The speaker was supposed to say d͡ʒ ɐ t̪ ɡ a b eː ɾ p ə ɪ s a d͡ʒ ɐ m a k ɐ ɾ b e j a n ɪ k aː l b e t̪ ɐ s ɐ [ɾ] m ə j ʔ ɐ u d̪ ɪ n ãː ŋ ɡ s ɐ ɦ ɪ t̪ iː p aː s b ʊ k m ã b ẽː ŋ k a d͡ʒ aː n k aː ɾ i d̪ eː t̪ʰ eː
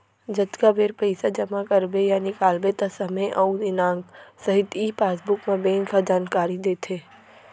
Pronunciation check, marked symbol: incorrect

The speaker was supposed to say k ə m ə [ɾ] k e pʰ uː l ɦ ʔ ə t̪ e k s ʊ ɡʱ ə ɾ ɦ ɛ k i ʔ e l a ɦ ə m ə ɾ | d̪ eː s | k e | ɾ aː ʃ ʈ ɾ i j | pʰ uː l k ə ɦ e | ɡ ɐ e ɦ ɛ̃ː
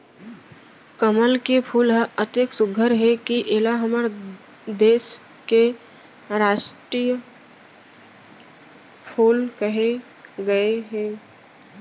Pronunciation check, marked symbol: incorrect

